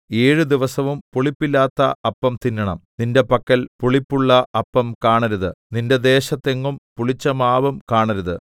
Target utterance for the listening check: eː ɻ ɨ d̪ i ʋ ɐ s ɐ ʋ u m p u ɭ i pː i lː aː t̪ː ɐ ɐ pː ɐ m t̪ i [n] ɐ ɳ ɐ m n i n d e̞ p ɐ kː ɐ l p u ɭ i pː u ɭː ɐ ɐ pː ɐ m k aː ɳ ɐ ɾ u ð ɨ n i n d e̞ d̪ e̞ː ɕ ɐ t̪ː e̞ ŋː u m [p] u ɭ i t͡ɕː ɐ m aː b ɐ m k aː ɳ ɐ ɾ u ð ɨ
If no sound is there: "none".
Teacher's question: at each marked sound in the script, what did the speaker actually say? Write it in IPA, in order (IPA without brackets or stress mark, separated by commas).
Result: nː, p